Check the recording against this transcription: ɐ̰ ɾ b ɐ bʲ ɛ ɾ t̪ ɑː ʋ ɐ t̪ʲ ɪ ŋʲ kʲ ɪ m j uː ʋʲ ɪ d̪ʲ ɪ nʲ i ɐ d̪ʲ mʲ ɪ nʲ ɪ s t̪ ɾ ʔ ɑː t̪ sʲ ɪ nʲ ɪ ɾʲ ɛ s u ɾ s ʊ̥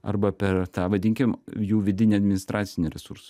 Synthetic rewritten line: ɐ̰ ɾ b ɐ pʲ ɛ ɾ t̪ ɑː ʋ ɐ d̪ʲ ɪ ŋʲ kʲ ɪ m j uː ʋʲ ɪ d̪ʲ ɪ nʲ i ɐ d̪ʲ mʲ ɪ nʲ ɪ s t̪ ɾ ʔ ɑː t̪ sʲ ɪ nʲ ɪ ɾʲ ɛ s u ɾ s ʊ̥

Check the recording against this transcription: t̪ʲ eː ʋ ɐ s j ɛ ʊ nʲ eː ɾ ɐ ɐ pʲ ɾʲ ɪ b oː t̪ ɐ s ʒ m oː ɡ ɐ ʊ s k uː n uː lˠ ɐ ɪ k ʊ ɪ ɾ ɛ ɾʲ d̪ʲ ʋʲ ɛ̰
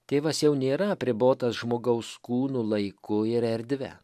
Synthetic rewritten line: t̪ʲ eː ʋ ɐ s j ɛ ʊ nʲ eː ɾ ɐ ɐ pʲ ɾʲ ɪ b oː t̪ ɐ s ʒ m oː ɡ ɐ ʊ s k uː n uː lˠ ɐ ɪ k ʊ ɪ ɾ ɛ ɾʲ d̪ʲ ʋʲ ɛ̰

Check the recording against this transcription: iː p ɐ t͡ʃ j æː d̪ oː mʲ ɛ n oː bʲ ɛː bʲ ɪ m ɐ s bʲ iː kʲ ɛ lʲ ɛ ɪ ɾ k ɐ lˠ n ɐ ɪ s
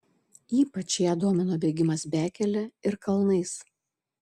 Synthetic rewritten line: iː p ɐ t͡ʃ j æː d̪ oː mʲ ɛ n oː bʲ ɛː ɡʲ ɪ m ɐ s bʲ æː kʲ ɛ lʲ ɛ ɪ ɾ k ɐ lˠ n ɐ ɪ s

